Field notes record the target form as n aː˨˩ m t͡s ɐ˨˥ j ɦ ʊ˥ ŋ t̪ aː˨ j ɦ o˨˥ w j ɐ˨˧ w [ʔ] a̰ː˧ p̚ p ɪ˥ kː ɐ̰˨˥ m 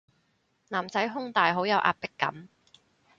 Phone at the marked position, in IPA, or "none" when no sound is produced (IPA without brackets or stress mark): ʔ